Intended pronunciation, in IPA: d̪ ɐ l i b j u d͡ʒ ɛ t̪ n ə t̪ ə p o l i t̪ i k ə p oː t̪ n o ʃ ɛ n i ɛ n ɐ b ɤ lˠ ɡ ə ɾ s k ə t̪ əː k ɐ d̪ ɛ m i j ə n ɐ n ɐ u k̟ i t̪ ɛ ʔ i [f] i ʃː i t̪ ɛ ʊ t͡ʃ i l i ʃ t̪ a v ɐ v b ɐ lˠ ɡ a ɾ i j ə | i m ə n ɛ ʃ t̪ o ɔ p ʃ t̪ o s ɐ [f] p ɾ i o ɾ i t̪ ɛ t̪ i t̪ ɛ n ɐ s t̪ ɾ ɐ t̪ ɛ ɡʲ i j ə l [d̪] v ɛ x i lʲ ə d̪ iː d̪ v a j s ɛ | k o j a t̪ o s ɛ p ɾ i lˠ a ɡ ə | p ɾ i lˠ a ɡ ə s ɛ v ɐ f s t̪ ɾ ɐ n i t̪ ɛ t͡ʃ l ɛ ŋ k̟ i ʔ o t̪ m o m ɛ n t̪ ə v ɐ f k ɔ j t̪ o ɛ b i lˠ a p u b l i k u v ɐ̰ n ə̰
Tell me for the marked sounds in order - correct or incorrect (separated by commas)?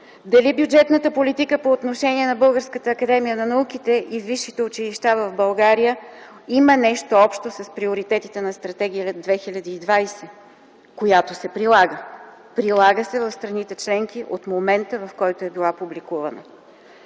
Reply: incorrect, incorrect, correct